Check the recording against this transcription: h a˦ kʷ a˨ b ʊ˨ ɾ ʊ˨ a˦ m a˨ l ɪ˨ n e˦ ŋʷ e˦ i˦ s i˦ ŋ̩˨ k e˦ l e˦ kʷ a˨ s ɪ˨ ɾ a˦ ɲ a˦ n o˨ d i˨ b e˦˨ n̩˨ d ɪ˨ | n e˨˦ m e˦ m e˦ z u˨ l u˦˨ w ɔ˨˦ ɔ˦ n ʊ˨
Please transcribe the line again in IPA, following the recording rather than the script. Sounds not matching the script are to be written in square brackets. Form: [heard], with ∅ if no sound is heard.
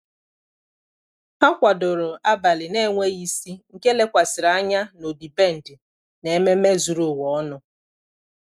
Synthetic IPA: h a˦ kʷ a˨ [d] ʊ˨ ɾ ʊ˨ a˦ [b] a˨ l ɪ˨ n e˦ ŋʷ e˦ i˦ s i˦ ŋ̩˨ k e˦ l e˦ kʷ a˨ s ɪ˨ ɾ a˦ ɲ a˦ n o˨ d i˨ b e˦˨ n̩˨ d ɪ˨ | n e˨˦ m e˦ m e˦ z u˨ [ɾ] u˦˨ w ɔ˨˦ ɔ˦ n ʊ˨